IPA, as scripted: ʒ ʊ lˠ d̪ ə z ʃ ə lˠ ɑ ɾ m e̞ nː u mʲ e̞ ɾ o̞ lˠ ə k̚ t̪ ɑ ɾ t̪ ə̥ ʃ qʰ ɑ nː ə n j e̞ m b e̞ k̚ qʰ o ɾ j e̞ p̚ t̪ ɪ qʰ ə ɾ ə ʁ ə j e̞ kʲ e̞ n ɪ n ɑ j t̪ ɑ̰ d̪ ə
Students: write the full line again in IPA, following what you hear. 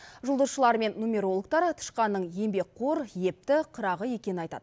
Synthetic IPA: ʒ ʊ lˠ d̪ ə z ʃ ə lˠ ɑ ɾ m e̞ nː u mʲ e̞ ɾ o̞ lˠ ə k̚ t̪ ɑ ɾ t̪ʰ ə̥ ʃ q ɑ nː ə ɴ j e̞ m b e̞ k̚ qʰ o ɾ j e̞ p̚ t̪ ɪ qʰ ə ɾ ɑ ʁ ə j e̞ kʲ e̞ n ɪ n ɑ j t̪ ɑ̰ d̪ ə